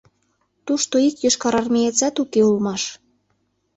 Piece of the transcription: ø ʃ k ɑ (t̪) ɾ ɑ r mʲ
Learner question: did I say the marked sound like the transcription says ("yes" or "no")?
no